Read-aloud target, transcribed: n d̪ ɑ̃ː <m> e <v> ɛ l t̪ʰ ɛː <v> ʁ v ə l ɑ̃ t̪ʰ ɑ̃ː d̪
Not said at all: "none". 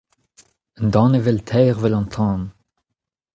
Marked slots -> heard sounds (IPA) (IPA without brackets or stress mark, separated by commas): n, v, none